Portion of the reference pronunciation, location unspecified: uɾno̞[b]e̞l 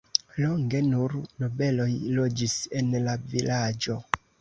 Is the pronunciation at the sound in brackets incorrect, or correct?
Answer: correct